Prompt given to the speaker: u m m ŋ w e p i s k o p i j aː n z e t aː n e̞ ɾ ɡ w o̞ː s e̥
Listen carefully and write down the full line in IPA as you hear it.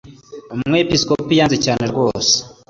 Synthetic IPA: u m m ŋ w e p i s k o p i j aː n z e c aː n e̞ ɾ ɡ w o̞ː s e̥